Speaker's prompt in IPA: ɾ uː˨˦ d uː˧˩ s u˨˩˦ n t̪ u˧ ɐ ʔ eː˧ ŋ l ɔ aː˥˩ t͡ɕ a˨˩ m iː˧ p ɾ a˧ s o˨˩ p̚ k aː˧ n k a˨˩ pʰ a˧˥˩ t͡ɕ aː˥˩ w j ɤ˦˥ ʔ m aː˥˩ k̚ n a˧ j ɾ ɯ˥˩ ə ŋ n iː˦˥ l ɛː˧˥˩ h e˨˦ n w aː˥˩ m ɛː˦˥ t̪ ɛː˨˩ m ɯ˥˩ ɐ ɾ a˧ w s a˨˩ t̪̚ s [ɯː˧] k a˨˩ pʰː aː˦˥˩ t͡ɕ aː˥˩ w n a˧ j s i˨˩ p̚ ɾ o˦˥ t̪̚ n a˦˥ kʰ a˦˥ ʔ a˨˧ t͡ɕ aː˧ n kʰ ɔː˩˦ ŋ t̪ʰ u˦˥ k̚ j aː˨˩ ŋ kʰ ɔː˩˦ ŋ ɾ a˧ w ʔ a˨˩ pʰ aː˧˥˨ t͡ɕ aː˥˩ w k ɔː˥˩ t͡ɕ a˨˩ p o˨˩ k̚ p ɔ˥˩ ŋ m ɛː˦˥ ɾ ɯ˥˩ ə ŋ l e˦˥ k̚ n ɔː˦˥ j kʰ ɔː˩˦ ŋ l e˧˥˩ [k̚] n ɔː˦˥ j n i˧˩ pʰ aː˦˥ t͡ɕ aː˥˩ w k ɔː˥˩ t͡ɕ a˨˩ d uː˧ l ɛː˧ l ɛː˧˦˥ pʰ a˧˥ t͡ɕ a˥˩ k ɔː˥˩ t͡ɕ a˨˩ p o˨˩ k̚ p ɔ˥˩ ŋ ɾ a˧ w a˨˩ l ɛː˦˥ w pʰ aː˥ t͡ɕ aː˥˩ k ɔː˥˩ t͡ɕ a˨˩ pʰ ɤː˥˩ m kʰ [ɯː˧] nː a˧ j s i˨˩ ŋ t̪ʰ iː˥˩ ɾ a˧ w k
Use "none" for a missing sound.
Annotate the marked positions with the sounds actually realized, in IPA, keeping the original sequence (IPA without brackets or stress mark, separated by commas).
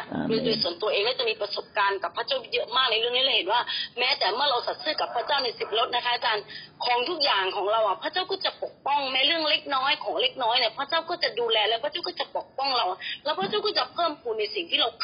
ɯː˥˩, k̚, uː˧